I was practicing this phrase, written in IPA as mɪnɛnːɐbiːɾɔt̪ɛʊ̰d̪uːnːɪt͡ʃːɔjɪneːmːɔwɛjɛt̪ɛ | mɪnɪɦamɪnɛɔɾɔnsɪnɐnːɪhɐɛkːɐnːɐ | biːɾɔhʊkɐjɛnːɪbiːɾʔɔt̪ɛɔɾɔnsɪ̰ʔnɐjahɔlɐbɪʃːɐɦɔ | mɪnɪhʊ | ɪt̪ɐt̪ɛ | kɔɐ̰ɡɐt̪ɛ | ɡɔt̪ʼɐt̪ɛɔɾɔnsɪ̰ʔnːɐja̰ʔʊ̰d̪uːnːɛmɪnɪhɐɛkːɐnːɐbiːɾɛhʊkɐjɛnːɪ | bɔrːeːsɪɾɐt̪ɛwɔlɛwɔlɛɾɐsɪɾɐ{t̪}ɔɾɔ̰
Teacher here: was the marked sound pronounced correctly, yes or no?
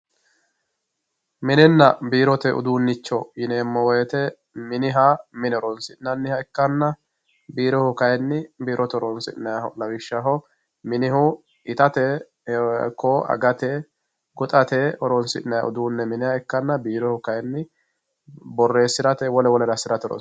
yes